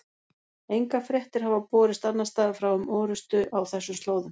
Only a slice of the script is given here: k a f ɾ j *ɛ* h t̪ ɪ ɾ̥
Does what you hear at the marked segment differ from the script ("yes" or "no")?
no